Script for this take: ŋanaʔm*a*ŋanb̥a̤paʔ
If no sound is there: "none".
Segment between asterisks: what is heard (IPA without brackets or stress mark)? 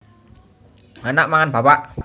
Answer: a